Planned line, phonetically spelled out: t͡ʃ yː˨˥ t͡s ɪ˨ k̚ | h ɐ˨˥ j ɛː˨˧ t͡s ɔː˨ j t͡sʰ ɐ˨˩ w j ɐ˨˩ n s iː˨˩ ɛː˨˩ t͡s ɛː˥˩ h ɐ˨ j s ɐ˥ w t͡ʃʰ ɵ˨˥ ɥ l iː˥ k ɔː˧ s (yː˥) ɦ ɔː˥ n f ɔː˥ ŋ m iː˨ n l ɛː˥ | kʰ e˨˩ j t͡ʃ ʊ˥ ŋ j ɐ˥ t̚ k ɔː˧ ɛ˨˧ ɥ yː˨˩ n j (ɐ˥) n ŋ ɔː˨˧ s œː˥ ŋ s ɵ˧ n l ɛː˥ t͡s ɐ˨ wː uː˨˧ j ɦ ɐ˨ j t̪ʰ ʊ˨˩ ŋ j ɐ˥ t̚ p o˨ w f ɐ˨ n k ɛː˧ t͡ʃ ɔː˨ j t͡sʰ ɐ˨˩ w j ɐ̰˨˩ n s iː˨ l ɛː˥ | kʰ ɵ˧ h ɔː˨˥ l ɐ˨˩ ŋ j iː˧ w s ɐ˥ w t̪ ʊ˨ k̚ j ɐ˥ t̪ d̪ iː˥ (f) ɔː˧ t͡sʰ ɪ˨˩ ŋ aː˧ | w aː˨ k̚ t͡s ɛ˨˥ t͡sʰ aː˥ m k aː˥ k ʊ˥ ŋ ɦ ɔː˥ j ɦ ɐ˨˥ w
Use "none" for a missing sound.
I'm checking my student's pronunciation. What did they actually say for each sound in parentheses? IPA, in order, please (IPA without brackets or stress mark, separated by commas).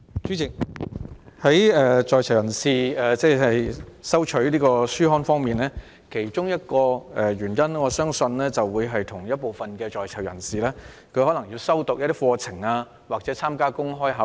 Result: yː˥, ɐ˥, f